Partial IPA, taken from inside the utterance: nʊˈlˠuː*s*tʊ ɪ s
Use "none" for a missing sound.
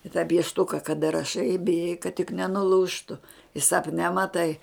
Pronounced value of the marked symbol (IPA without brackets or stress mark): ʃ